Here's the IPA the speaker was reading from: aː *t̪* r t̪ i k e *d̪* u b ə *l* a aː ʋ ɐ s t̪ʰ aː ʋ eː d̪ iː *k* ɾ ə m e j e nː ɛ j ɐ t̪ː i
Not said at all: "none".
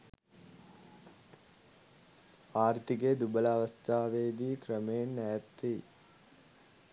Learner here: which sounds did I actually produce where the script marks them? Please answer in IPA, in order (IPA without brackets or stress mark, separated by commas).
none, d̪, l, k